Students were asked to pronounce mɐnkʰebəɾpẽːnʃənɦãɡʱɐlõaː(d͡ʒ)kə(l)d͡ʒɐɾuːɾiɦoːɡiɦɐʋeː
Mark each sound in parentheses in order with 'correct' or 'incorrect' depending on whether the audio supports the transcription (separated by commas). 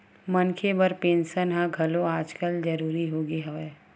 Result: correct, correct